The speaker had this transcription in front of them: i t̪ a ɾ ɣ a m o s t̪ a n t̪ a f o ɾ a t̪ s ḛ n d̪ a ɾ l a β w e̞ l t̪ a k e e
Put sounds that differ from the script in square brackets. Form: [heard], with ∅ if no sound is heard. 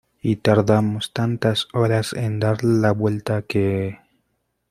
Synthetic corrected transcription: i t̪ a ɾ [ð] a m o s t̪ a n t̪ a [s] o ɾ a [∅] s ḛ n d̪ a ɾ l a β w e̞ l t̪ a k e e